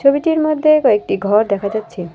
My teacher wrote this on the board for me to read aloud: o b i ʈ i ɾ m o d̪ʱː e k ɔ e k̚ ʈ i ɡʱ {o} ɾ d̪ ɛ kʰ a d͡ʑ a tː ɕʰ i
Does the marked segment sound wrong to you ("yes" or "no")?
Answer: yes